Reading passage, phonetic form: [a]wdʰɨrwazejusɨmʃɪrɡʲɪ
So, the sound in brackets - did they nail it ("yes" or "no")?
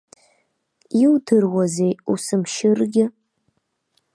no